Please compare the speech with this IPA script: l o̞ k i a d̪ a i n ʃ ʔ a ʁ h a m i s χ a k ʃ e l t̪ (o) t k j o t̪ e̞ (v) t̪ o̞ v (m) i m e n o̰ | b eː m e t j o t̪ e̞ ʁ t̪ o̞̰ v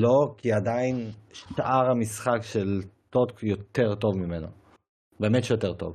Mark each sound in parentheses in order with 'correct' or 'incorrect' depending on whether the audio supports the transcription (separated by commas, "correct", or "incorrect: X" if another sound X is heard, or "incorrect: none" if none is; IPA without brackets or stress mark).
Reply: correct, incorrect: ʁ, correct